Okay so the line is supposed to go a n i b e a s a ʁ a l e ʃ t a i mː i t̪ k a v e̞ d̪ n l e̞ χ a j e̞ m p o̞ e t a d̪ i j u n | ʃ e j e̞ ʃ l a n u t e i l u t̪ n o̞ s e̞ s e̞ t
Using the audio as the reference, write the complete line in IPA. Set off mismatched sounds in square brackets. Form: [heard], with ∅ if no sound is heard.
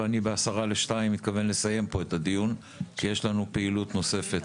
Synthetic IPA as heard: a n i b e a s a ʁ a l e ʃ t a i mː i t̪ k a v e̞ [∅] n l e̞ [s] a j e̞ m p o̞ e t a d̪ i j u n | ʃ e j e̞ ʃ l a n u [p] e i l u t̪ n o̞ s e̞ [f] e̞ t